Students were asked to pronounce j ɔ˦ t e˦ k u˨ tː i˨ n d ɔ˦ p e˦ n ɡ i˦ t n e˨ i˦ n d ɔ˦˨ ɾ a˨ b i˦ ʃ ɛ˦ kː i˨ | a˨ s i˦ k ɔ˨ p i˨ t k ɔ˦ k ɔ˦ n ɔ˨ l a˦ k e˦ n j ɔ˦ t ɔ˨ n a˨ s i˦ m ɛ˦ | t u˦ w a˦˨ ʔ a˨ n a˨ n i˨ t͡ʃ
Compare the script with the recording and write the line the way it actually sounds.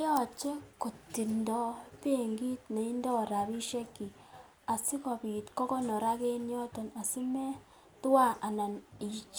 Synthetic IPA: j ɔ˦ t͡ʃ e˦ k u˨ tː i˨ n d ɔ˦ p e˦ ŋ ɡ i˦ t n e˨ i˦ n d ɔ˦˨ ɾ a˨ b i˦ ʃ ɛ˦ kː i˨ | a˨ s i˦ k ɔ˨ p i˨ t k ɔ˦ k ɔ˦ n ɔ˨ ɾ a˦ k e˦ n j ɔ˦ t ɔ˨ n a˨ s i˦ m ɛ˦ | t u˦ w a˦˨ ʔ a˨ n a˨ n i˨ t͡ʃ

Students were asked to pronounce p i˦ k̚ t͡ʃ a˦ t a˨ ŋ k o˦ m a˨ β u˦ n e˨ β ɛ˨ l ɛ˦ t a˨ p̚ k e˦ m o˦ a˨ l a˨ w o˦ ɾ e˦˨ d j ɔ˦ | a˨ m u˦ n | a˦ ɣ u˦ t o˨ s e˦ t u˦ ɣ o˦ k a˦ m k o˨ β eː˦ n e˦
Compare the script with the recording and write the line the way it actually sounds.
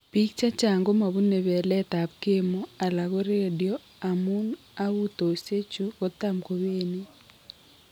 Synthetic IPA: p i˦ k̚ t͡ʃ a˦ t͡ʃ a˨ ŋ ɡ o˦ m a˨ β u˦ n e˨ β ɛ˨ l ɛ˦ t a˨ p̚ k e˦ m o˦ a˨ l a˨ ɣ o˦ ɾ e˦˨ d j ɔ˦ | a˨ m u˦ n | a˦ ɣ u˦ t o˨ s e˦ t͡ʃ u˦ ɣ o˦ t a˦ m k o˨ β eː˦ n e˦

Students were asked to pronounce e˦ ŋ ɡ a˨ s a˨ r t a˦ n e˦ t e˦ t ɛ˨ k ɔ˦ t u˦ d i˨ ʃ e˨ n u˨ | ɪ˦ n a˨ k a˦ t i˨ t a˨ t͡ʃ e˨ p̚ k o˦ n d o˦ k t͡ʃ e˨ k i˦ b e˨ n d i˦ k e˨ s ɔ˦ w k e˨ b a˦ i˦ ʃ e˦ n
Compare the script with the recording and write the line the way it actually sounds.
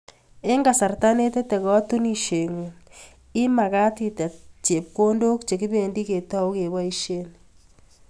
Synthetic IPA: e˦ ŋ ɡ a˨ s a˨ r t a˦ n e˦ t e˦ t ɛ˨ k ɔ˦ t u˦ n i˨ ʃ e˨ ŋ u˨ | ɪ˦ m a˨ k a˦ t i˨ t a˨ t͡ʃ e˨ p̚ k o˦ n d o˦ k t͡ʃ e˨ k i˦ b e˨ n d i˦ k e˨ t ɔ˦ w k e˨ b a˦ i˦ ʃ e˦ n

